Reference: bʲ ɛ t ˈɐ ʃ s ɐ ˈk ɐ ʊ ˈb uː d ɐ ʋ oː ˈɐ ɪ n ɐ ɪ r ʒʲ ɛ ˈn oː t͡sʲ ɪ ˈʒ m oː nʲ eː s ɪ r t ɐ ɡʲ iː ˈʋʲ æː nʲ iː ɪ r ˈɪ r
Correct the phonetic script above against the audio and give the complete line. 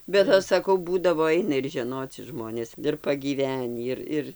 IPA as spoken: bʲ ɛ t ˈɐ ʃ s ɐ ˈk ɐ ʊ ˈb uː d ɐ ʋ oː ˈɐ ɪ n ɐ ɪ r ʒʲ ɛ ˈn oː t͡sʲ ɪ ˈʒ m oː nʲ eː s ɪ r p ɐ ɡʲ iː ˈʋʲ æː nʲ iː ɪ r ˈɪ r